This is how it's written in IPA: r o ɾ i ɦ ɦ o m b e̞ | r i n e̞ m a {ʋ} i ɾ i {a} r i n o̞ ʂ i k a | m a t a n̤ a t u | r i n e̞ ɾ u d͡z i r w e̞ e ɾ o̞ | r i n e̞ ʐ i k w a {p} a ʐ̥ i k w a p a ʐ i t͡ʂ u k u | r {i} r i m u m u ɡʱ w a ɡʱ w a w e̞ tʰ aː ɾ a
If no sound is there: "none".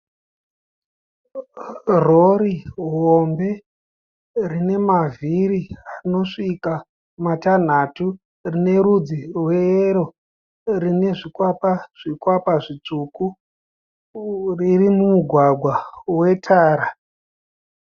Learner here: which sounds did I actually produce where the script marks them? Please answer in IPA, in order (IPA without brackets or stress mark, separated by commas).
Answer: v, a, p, i